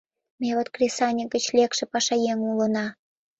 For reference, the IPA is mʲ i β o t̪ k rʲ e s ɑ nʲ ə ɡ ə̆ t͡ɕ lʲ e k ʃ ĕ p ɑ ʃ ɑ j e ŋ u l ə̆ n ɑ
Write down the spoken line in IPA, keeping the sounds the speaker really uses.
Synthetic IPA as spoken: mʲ e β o t̪ k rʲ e s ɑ nʲ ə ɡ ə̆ t͡ɕ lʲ e k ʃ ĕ p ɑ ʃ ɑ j e ŋ u l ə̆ n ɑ